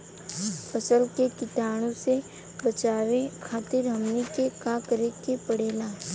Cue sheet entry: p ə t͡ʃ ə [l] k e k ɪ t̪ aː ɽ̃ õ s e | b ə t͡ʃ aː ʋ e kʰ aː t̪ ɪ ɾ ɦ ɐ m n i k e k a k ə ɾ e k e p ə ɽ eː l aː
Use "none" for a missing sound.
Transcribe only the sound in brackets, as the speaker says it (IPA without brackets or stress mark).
l